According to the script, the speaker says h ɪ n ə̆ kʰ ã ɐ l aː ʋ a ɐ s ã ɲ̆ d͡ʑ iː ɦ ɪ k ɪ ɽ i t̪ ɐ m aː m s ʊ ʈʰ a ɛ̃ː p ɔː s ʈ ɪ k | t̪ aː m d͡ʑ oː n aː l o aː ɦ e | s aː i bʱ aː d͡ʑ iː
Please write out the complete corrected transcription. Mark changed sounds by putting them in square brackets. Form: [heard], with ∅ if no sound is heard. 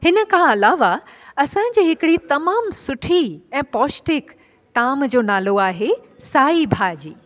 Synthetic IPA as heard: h ɪ n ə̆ kʰ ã ɐ l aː ʋ a ɐ s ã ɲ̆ d͡ʑ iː ɦ ɪ k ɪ ɽ i t̪ ɐ m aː m s ʊ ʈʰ [i] ɛ̃ː p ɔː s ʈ ɪ k | t̪ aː m d͡ʑ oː n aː l o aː ɦ e | s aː i bʱ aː d͡ʑ iː